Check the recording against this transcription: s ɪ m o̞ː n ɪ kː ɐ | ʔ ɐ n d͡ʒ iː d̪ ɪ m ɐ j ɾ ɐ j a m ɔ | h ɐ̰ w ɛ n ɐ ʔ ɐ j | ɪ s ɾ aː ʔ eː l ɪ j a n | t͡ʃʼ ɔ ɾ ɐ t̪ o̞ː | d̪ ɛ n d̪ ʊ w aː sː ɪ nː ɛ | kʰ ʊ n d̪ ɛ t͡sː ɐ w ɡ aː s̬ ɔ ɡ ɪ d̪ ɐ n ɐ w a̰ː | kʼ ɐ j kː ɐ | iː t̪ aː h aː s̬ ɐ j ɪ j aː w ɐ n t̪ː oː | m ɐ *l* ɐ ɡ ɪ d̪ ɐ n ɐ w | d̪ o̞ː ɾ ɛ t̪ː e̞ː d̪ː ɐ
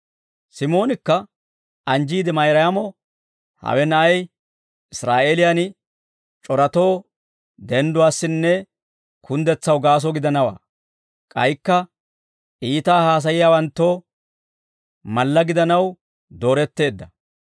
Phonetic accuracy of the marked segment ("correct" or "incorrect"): incorrect